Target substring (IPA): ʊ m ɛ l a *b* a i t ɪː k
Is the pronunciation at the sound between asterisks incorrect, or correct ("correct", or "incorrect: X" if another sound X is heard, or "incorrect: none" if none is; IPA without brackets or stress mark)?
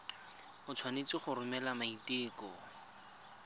incorrect: m